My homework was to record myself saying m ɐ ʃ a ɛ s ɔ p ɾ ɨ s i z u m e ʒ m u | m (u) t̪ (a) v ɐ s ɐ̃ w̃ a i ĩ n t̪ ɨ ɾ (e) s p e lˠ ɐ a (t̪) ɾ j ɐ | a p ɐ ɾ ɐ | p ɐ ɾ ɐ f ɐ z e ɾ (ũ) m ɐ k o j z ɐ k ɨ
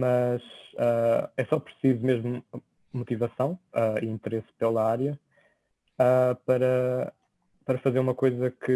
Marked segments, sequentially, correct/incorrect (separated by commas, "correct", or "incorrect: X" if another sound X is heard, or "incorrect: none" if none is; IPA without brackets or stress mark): correct, incorrect: i, correct, incorrect: none, incorrect: u